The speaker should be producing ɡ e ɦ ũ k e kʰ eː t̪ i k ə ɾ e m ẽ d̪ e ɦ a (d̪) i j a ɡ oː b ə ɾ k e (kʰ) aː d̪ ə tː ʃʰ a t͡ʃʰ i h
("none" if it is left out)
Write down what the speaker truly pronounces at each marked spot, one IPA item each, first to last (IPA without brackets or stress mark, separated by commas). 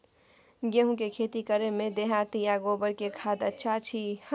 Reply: t̪, kʰ